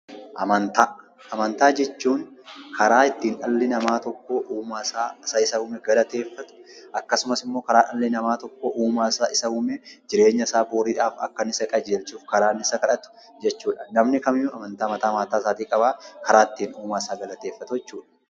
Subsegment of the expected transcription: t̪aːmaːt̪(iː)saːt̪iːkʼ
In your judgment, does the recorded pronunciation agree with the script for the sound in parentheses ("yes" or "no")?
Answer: no